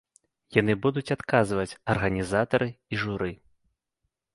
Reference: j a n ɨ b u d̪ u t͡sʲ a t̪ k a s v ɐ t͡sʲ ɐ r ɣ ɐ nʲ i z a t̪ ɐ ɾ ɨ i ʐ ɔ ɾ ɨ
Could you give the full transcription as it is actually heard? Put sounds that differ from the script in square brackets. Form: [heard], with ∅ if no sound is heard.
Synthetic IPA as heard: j a n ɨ b u d̪ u t͡sʲ a t̪ k a [z] v ɐ t͡sʲ ɐ r ɣ ɐ nʲ i z a t̪ ɐ ɾ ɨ i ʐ [u] ɾ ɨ